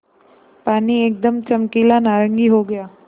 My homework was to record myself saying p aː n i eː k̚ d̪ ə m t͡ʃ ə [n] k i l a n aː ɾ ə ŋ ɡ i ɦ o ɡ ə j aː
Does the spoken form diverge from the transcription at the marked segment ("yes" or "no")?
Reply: yes